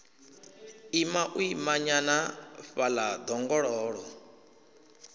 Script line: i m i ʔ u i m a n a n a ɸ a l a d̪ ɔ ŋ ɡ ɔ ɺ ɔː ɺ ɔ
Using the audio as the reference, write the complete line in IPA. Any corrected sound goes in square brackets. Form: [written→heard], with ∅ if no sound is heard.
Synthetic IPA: i m [i→a] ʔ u i m a [n→ɲ] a n a ɸ a l a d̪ ɔ ŋ ɡ ɔ ɺ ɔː ɺ ɔ

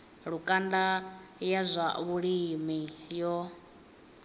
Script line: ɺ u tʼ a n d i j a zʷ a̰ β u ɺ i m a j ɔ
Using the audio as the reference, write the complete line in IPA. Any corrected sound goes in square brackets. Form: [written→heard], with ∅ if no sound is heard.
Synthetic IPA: ɺ u [tʼ→kʼ] a n d [i→a] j a zʷ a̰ β u ɺ i m [a→i] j ɔ

